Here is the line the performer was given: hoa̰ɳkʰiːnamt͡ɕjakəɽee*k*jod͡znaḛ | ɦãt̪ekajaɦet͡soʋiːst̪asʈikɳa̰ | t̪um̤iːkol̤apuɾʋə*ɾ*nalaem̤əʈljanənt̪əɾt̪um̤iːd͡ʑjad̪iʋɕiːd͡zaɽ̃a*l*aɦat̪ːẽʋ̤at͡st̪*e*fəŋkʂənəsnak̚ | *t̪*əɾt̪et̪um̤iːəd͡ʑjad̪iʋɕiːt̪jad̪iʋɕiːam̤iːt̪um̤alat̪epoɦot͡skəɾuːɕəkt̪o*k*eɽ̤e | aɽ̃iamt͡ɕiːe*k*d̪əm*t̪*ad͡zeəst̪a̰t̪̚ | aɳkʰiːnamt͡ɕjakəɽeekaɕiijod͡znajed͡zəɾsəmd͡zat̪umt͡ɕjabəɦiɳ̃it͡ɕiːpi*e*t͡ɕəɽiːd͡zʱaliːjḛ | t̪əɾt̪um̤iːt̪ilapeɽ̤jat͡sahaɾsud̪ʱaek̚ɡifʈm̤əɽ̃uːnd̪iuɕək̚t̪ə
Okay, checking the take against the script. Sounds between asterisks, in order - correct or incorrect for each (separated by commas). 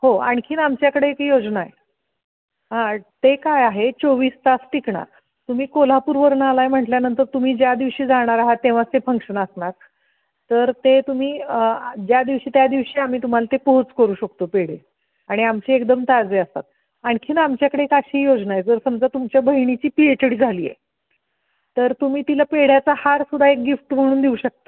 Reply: correct, correct, incorrect, correct, correct, incorrect, correct, correct, correct